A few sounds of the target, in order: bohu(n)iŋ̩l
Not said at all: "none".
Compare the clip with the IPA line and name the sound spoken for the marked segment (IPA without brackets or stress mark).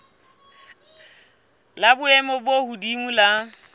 d